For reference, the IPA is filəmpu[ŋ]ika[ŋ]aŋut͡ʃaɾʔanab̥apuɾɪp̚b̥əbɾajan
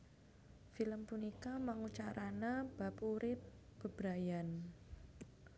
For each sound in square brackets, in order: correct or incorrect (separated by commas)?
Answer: incorrect, incorrect